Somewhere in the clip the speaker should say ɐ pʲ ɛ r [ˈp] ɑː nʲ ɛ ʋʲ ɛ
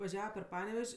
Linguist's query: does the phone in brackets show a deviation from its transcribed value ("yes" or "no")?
no